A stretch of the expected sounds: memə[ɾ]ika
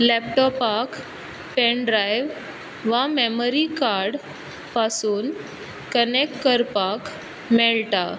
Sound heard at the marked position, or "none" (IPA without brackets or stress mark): ɾ